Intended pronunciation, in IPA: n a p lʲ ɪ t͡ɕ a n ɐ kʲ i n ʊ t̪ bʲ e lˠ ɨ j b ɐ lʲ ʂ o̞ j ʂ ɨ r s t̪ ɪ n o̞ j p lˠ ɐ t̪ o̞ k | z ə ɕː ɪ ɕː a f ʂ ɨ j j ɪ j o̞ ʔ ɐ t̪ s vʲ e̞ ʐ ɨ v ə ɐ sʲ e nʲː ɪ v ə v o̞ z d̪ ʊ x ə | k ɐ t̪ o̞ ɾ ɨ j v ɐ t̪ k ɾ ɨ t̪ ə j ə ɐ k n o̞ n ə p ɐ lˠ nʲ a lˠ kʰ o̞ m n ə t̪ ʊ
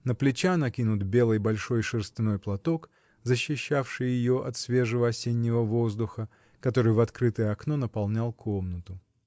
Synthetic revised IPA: n ə p lʲ ɪ t͡ɕ a n ɐ kʲ i n ʊ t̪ bʲ e lˠ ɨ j b ɐ lʲ ʂ o̞ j ʂ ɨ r s t̪ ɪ n o̞ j p lˠ ɐ t̪ o̞ k | z ə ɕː ɪ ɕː a f ʂ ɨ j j ɪ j o̞ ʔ ɐ t̪ s vʲ e̞ ʐ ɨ v ə ɐ sʲ e nʲː ɪ v ə v o̞ z d̪ ʊ x ə | k ɐ t̪ o̞ ɾ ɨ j v ɐ t̪ k ɾ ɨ t̪ ə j ə ɐ k n o̞ n ə p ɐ lˠ nʲ a lˠ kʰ o̞ m n ə t̪ ʊ

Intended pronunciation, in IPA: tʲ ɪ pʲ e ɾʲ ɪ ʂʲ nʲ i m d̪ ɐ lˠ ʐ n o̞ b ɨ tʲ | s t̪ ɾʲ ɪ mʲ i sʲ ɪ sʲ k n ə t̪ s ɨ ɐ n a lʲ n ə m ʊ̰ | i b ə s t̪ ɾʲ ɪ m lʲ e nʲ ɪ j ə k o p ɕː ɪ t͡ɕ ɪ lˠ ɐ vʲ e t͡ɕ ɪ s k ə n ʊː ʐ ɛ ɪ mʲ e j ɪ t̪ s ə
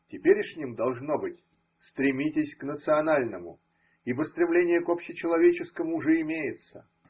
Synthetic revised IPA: tʲ ɪ pʲ e ɾʲ ɪ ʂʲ nʲ i m d̪ ɐ lˠ ʐ n o̞ b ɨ tʲ | s t̪ ɾʲ ɪ mʲ i tʲ ɪ sʲ k n ə t̪ s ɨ ɐ n a lʲ n ə m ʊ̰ | i b ə s t̪ ɾʲ ɪ m lʲ e nʲ ɪ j ə k o p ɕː ɪ t͡ɕ ɪ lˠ ɐ vʲ e t͡ɕ ɪ s k ə m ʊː ʐ ɛ ɪ mʲ e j ɪ t̪ s ə

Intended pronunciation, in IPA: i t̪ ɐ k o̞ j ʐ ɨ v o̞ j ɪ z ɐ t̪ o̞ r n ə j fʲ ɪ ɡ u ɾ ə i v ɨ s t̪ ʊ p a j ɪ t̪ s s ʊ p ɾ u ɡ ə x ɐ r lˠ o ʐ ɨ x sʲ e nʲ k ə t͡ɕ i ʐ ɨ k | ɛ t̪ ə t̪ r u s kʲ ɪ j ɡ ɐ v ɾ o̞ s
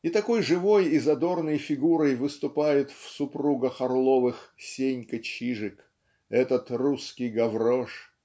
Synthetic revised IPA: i t̪ ɐ k o̞ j ʐ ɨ v o̞ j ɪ z ɐ d̪ o̞ r n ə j fʲ ɪ ɡ u ɾ ə j v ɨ s t̪ ʊ p a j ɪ t̪ f s ʊ p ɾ u ɡ ə x ɐ r lˠ o v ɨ x sʲ e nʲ k ə t͡ɕ i ʐ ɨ k | ɛ t̪ ə t̪ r u s kʲ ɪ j ɡ ɐ v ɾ o̞ ʂ

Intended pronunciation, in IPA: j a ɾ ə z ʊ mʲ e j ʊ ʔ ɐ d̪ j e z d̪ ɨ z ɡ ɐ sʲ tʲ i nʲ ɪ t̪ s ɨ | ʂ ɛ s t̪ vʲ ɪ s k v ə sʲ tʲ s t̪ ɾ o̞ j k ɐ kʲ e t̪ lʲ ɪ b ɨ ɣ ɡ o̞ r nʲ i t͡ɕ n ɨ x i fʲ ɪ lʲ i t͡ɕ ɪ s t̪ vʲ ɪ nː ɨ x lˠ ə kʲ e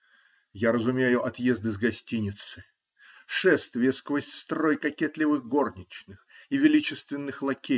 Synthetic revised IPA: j a ɾ ə z ʊ mʲ e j ʊ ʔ ɐ t̪ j e z d̪ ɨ z ɡ ɐ sʲ tʲ i nʲ ɪ t̪ s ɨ | ʂ ɛ s t̪ vʲ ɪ s k v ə sʲ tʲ s t̪ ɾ o̞ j k ɐ kʲ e t̪ lʲ ɪ v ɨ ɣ ɡ o̞ r nʲ ɪ t͡ɕ n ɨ x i vʲ ɪ lʲ i t͡ɕ ɪ s t̪ vʲ ɪ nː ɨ x lˠ ɐ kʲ e

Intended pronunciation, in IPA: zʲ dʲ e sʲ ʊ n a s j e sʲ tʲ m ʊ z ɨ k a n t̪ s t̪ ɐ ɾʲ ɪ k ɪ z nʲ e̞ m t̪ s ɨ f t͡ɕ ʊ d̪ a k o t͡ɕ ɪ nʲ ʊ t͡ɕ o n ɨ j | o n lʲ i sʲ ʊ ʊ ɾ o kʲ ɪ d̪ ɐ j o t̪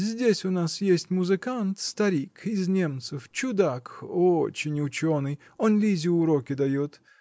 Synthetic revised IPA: zʲ dʲ e sʲ ʊ n a s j e sʲ tʲ m ʊ z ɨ k a n t̪ s t̪ ɐ ɾʲ i k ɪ z nʲ e̞ m t̪ s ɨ f t͡ɕ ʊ d̪ a k o t͡ɕ ɪ nʲ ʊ t͡ɕ o n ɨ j | o n lʲ i zʲ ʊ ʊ ɾ o kʲ ɪ d̪ ɐ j o t̪

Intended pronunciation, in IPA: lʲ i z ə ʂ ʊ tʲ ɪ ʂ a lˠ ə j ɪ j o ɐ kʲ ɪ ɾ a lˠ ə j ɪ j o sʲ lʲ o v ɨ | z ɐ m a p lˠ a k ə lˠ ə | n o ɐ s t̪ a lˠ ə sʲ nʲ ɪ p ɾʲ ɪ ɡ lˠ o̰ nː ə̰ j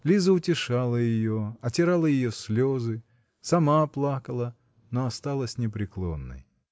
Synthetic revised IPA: lʲ i z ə ʊ tʲ ɪ ʂ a lˠ ə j ɪ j o ɐ tʲ ɪ ɾ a lˠ ə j ɪ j o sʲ lʲ o z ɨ | s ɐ m a p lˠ a k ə lˠ ə | n o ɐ s t̪ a lˠ ə sʲ nʲ ɪ p ɾʲ ɪ k lˠ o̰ nː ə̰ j

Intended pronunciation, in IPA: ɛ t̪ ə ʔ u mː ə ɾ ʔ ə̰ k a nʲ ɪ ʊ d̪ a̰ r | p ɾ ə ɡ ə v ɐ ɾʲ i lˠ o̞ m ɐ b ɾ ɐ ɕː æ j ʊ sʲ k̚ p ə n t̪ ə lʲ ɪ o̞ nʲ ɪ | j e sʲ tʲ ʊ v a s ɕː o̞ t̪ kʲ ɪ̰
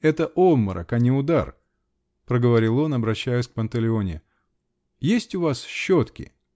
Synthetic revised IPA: ɛ t̪ ə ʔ o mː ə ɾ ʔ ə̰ k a nʲ ɪ ʊ d̪ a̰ r | p ɾ ə ɡ ə v ɐ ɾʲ i lˠ o̞ n ɐ b ɾ ɐ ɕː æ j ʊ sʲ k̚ p ə n t̪ ə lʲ ɪ o̞ nʲ ɪ | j e sʲ tʲ ʊ v a s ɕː o̞ t̪ kʲ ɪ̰

